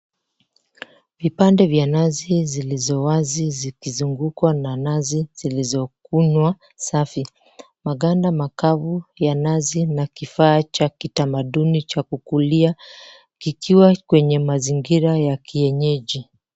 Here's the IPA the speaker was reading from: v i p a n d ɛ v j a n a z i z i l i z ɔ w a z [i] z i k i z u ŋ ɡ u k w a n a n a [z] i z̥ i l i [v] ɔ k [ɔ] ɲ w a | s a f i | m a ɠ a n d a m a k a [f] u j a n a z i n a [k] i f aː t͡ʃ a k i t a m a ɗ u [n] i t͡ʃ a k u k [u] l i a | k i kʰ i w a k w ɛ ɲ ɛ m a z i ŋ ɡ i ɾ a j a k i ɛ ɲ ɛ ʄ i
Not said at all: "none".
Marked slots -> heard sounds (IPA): i, z, z, u, v, k, n, u

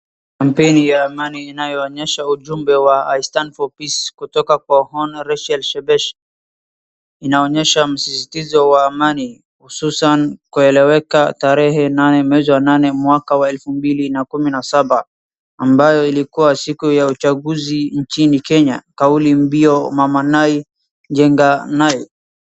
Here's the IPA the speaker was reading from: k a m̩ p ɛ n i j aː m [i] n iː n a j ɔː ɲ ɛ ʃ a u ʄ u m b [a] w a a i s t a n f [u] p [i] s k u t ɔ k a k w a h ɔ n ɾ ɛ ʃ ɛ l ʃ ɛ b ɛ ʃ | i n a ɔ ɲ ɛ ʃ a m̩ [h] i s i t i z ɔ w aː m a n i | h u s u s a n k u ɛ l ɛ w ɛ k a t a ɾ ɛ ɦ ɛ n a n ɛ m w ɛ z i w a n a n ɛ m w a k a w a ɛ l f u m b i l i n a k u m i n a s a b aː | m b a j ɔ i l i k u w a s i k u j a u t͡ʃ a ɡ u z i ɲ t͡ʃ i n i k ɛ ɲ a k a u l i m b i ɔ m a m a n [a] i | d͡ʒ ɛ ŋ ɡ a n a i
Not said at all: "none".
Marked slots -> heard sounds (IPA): a, ɛ, ɔ, i, s, a

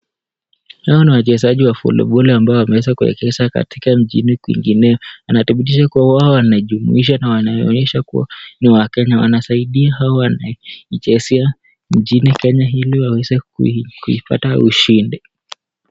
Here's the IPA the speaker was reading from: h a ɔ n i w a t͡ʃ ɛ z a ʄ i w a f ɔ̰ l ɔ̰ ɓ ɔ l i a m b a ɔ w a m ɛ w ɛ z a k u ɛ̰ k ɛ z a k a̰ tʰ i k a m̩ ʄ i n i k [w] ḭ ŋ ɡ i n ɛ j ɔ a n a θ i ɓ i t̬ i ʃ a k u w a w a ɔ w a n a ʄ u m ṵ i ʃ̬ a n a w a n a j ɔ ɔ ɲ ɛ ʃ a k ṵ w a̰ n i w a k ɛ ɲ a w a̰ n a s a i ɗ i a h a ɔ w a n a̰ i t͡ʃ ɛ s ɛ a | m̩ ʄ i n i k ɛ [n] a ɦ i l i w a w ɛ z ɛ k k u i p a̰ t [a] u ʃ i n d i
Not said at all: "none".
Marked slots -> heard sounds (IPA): w, ɲ, a

